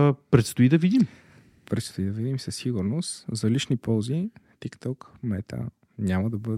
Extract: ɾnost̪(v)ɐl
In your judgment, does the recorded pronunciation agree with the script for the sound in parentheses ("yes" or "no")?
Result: no